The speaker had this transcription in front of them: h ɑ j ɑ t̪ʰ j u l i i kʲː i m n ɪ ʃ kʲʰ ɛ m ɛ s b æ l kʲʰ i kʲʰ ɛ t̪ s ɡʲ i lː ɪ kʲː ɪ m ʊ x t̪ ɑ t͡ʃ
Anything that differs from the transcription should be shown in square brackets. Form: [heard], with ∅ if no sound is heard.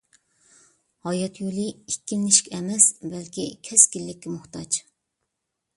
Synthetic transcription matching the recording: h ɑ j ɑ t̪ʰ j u l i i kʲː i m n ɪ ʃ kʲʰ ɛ m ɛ s b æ l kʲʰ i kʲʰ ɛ [∅] s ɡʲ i lː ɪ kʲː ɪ m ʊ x t̪ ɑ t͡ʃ